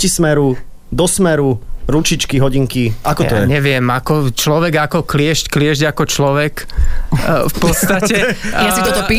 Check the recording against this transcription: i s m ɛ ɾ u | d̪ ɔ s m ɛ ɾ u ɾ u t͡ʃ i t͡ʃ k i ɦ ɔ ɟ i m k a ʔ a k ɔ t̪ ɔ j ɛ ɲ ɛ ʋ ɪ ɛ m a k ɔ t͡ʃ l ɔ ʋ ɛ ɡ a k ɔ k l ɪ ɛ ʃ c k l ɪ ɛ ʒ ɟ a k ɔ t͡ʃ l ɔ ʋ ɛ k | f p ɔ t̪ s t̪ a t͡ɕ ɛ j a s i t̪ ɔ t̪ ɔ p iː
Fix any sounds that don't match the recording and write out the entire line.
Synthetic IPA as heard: i s m ɛ ɾ u | d̪ ɔ s m ɛ ɾ u ɾ u t͡ʃ i t͡ʃ k i ɦ ɔ ɟ i ŋ k i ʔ a k ɔ t̪ ɔ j ɛ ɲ ɛ ʋ ɪ ɛ m a k ɔ t͡ʃ l ɔ ʋ ɛ ɡ a k ɔ k l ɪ ɛ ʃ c k l ɪ ɛ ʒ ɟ a k ɔ t͡ʃ l ɔ ʋ ɛ k | f p ɔ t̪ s t̪ a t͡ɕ ɛ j a s i t̪ ɔ t̪ ɔ p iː